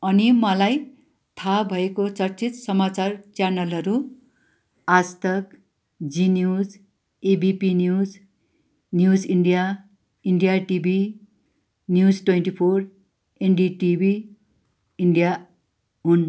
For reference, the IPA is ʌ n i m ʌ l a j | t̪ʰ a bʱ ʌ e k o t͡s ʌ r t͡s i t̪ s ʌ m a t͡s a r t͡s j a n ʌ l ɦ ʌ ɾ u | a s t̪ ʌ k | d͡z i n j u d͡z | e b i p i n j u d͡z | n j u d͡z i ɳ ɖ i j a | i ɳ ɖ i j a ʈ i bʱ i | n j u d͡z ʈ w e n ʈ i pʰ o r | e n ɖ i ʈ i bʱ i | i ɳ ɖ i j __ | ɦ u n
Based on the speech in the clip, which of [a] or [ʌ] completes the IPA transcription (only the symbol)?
a